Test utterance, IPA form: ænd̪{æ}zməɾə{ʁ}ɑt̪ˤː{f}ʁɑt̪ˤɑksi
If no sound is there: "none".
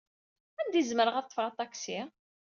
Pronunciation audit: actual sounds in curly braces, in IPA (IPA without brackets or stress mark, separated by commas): i, ʁ, f